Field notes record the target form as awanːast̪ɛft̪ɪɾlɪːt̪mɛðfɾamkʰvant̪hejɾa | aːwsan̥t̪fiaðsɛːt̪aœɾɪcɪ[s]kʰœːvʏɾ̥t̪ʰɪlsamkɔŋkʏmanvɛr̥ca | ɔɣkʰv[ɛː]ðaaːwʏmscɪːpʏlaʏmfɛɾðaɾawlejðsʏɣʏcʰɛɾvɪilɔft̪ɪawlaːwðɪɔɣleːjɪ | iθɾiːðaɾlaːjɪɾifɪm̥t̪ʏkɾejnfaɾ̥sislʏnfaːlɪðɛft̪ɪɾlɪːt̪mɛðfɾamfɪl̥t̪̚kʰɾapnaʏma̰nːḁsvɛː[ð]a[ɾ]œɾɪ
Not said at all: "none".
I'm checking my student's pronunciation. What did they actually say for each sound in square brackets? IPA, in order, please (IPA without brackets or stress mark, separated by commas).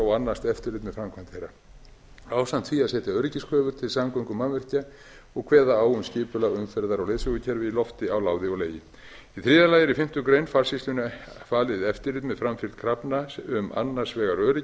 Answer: s, ɛː, ɣ, ɾ